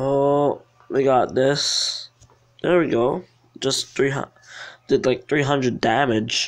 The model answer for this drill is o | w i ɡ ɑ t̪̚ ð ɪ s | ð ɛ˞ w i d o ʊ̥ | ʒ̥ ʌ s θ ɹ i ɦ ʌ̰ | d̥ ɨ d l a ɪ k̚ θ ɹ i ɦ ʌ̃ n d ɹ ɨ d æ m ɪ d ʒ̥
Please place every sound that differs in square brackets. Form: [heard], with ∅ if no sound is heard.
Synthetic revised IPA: o | w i ɡ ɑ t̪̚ ð ɪ s | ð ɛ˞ w i [ɡ] o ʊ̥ | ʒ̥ ʌ s θ ɹ i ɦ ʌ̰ | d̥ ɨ d l a ɪ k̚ θ ɹ i ɦ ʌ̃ n d ɹ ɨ d æ m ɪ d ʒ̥